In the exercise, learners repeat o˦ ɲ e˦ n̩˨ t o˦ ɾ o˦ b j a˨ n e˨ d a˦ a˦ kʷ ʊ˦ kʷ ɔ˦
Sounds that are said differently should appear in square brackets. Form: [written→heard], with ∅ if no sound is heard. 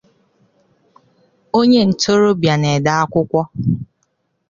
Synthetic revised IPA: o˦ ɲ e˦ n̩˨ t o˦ ɾ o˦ b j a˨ n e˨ d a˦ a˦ kʷ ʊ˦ kʷ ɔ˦